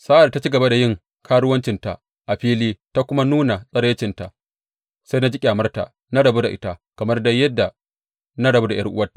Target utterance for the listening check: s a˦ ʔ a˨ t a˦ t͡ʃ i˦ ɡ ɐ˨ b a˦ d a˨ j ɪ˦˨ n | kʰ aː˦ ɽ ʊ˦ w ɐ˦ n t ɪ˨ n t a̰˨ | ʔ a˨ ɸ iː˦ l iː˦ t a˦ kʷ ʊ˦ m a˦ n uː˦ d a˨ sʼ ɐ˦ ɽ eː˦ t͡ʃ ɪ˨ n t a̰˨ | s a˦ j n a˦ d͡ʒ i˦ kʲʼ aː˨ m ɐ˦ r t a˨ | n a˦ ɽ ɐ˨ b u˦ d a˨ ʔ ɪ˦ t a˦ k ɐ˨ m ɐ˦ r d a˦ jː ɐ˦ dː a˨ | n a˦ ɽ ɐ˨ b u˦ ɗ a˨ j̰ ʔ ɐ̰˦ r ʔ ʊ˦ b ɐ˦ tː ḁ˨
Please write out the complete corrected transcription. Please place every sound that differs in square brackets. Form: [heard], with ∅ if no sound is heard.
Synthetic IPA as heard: s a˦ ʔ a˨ t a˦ t͡ʃ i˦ ɡ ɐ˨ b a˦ d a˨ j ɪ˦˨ [ŋ] | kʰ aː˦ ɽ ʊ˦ w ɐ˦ n [t͡ʃ] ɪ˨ n t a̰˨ | ʔ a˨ ɸ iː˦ l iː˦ t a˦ kʷ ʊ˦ m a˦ n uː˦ [n] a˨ sʼ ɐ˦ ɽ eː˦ t͡ʃ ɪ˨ n t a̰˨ | s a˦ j n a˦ d͡ʒ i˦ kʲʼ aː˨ m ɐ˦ r t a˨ | n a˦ ɽ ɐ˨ b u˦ d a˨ ʔ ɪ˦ t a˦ k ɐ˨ m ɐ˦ r d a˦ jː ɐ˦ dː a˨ | n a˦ ɽ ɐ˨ b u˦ [d] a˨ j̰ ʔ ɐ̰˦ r ʔ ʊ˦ [w] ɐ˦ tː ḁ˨